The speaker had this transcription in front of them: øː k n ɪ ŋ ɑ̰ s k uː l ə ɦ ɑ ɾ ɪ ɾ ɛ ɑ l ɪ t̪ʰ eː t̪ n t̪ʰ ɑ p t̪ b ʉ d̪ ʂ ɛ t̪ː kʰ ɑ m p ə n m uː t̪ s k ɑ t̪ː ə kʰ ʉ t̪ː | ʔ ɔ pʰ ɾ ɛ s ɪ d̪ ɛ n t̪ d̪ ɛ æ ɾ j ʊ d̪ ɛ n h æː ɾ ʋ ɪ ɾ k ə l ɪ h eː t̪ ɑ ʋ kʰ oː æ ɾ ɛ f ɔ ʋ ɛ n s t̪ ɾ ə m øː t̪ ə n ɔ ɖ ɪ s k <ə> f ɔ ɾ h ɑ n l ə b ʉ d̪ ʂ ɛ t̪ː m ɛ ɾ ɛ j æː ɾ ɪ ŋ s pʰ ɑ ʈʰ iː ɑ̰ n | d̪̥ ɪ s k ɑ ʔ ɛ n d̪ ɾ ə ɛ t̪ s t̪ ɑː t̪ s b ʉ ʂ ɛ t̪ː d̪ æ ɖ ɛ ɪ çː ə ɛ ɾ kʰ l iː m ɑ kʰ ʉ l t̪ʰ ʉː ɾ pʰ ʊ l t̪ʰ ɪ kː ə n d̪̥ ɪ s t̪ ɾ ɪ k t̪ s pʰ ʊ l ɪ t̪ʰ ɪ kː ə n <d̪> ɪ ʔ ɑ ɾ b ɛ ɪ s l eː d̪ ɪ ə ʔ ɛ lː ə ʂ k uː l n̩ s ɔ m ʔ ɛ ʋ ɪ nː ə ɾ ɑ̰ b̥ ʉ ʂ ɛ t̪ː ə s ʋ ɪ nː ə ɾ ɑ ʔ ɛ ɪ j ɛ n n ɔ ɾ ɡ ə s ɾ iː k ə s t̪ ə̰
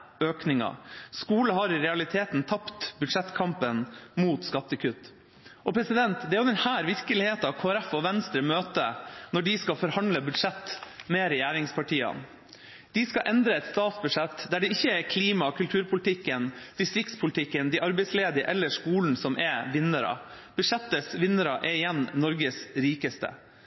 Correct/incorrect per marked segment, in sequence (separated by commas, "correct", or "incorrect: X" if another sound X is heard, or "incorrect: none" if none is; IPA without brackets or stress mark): incorrect: ɑ, correct